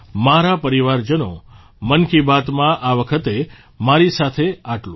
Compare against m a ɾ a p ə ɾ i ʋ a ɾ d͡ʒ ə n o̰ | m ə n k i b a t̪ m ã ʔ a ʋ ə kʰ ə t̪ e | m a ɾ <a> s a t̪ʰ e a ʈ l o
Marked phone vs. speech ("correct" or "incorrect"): incorrect